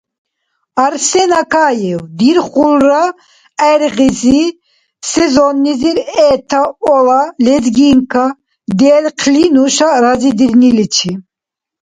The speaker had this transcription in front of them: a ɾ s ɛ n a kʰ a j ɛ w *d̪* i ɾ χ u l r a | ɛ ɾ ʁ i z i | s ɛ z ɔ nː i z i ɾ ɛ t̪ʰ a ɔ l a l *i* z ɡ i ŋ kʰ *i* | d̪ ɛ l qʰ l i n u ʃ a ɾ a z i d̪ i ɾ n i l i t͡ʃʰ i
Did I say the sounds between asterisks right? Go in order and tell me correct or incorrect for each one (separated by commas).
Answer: correct, incorrect, incorrect